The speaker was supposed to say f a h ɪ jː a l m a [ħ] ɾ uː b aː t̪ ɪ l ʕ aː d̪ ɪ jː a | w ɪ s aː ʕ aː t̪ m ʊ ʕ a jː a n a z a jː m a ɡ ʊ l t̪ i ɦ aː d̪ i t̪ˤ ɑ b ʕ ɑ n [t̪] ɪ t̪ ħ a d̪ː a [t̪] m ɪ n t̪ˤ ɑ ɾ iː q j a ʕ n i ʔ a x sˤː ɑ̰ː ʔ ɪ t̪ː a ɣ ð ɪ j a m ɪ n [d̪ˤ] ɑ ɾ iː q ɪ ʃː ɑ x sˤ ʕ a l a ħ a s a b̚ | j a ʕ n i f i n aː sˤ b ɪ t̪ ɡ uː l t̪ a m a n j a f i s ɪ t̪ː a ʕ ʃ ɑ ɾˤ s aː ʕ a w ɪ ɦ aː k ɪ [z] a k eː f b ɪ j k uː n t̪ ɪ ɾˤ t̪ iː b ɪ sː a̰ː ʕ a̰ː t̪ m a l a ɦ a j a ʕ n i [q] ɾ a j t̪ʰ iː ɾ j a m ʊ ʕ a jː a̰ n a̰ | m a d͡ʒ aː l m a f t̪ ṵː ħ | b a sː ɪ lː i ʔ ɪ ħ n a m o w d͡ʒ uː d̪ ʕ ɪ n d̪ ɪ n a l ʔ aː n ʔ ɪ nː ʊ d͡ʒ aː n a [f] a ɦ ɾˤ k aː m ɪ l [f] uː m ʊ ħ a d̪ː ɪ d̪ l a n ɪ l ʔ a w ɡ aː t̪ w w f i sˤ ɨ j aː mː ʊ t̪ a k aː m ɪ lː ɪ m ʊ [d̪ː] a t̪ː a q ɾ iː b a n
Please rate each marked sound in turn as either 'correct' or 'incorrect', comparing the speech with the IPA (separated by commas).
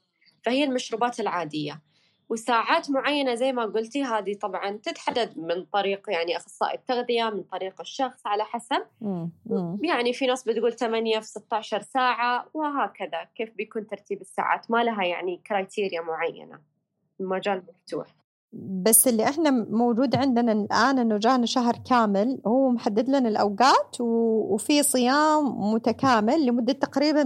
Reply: incorrect, correct, incorrect, incorrect, incorrect, incorrect, incorrect, incorrect, correct